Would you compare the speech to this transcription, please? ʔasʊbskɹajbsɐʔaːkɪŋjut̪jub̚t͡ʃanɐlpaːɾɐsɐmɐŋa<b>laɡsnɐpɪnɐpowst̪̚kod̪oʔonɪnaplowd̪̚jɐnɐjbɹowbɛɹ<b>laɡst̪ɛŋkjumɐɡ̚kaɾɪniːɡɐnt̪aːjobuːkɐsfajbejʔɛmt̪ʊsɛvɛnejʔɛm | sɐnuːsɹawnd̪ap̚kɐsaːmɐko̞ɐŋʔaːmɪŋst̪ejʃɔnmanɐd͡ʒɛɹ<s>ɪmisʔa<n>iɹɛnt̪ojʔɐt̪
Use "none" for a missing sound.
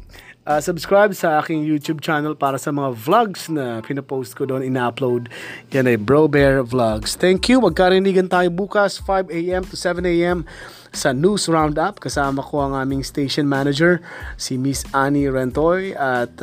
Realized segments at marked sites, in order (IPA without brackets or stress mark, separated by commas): v, v, s, n